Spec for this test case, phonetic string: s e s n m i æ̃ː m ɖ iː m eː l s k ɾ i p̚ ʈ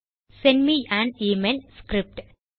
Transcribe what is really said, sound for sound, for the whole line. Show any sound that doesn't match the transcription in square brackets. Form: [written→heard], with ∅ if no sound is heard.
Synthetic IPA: s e [s→∅] n m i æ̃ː [m→ɳ] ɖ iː m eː l s k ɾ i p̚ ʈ